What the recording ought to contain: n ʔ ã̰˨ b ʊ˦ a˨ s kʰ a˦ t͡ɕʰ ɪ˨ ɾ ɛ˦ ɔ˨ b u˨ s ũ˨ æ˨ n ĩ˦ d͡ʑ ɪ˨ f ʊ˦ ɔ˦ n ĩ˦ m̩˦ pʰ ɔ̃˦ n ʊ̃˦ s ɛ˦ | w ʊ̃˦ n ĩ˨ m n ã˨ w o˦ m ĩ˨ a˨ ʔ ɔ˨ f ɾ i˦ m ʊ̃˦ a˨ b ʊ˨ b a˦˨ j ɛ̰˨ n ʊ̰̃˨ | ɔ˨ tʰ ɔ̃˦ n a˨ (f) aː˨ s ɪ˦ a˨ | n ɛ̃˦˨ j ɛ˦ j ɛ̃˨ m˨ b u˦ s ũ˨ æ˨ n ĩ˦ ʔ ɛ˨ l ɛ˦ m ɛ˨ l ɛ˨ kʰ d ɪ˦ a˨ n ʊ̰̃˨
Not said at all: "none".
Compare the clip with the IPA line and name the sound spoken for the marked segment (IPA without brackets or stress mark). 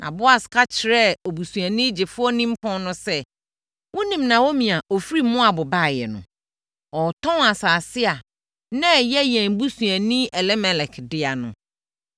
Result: s